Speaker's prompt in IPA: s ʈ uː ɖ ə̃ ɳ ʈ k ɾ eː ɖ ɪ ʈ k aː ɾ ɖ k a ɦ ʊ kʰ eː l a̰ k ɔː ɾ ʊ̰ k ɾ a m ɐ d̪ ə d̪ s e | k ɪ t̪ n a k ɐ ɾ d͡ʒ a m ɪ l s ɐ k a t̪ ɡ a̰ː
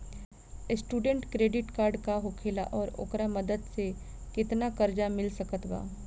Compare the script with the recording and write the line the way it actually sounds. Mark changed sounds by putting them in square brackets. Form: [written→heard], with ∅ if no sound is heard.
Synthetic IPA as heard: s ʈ uː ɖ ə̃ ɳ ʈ k ɾ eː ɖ ɪ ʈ k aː ɾ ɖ k a ɦ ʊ kʰ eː l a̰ [k→ʔ] ɔː ɾ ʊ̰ k ɾ a m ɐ d̪ ə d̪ s e | k ɪ t̪ n a k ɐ ɾ d͡ʒ a m ɪ l s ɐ k [a→ə] t̪ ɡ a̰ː